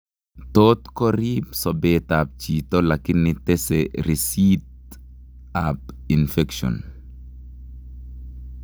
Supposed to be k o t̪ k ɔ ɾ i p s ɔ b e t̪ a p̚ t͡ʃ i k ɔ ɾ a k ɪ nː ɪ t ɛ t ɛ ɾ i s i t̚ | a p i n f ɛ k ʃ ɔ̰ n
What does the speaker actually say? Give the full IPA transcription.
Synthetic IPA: t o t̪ k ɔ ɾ i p s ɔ b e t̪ a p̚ t͡ʃ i t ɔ l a k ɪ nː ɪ t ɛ s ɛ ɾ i s i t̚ | a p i n f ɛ k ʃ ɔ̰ n